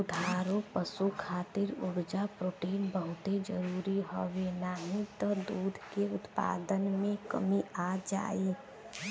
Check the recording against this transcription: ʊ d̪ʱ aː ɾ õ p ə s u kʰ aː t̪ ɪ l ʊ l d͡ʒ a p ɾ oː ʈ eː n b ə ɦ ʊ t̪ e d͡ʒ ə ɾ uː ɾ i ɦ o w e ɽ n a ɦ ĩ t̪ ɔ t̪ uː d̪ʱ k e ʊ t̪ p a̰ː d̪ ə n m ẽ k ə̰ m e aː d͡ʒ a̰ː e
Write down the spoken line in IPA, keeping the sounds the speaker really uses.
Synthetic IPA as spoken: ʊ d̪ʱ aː ɾ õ p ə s u kʰ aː t̪ ɪ ɾ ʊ ɽ d͡ʒ a p ɾ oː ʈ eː n b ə ɦ ʊ t̪ e d͡ʒ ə ɾ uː ɾ i ɦ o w e n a ɦ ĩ t̪ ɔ d̪ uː d̪ʱ k e ʊ t̪ p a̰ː d̪ ə n m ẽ k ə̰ m i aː d͡ʒ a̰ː e